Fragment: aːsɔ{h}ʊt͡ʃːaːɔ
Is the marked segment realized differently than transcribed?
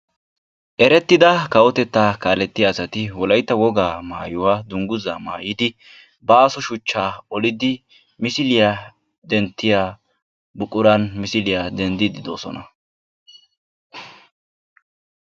yes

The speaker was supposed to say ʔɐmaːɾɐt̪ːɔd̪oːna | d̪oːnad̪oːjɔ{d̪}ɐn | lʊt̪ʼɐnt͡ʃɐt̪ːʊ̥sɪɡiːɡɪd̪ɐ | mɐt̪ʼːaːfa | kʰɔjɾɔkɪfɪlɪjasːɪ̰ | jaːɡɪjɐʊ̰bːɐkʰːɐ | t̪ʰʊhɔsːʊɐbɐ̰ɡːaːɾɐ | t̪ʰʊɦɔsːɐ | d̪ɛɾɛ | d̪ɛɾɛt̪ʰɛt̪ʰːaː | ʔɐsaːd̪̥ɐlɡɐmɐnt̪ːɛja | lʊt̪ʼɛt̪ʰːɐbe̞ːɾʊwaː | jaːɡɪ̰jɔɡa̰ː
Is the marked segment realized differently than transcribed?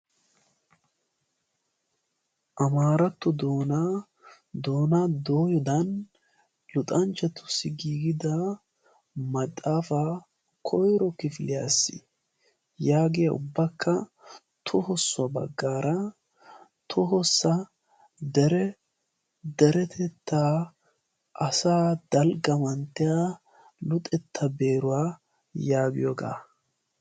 no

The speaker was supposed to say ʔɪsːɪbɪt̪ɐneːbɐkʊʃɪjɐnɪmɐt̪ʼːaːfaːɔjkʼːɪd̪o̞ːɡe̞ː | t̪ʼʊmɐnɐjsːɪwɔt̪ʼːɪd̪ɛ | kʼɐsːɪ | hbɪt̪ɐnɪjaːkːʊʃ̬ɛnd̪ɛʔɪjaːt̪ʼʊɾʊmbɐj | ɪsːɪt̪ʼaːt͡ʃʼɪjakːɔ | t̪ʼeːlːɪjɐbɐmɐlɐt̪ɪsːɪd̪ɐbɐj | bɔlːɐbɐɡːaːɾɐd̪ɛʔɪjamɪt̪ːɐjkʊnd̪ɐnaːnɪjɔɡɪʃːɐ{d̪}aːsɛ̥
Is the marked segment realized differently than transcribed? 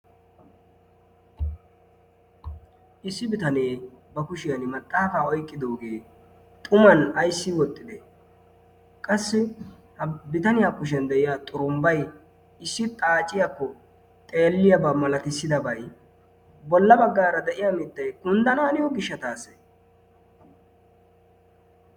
yes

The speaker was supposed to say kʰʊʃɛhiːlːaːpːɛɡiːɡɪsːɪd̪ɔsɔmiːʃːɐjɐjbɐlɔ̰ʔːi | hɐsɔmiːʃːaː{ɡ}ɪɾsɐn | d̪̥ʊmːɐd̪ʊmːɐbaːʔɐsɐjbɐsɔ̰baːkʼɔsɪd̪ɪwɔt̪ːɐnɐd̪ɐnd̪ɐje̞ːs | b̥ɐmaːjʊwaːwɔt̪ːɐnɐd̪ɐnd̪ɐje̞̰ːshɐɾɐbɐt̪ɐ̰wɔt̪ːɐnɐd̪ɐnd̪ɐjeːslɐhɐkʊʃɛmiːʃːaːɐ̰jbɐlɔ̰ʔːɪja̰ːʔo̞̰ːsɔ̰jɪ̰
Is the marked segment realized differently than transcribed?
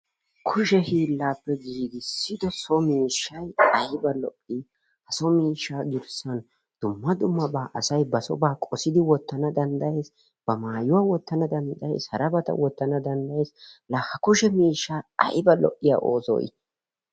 no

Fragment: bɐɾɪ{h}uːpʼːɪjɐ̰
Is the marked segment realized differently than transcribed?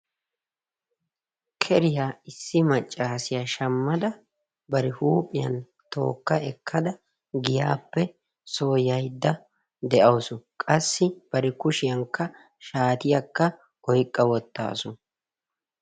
no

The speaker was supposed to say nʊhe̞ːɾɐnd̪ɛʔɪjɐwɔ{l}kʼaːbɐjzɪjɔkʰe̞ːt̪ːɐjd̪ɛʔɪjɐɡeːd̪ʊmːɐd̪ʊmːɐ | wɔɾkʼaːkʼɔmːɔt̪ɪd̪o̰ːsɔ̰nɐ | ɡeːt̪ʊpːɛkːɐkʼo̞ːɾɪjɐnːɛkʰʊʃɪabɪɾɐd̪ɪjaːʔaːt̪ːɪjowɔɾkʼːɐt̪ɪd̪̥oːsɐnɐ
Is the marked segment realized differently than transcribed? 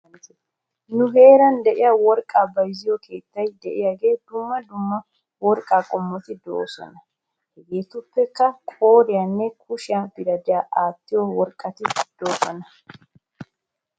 yes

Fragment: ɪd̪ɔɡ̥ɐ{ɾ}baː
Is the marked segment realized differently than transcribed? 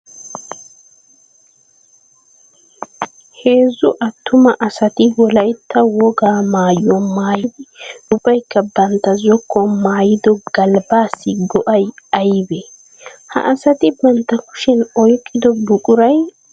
yes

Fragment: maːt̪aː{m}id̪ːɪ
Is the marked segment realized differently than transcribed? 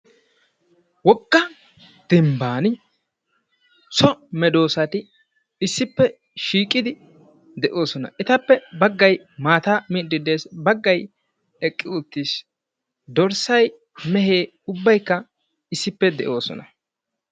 no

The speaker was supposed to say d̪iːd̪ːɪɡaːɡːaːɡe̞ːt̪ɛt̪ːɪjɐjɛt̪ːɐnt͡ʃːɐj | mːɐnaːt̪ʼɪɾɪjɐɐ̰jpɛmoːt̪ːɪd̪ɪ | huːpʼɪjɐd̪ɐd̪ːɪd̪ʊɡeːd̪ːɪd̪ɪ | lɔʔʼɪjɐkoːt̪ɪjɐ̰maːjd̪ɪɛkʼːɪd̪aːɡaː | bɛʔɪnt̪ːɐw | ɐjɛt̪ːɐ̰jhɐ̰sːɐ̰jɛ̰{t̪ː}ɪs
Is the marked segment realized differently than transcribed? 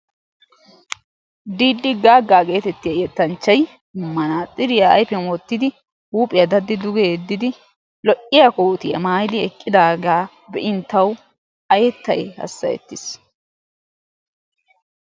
no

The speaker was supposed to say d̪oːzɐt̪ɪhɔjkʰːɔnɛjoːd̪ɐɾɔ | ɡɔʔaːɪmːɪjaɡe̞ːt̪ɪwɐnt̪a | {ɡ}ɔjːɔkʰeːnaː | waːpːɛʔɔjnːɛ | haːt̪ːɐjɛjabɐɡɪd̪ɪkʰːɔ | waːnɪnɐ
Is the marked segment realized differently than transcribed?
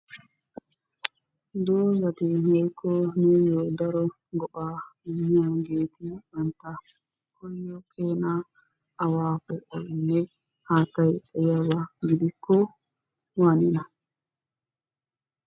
yes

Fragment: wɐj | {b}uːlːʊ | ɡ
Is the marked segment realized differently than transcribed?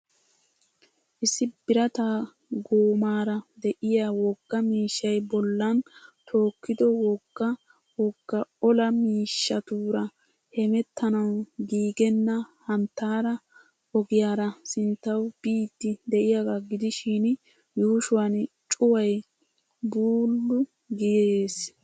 no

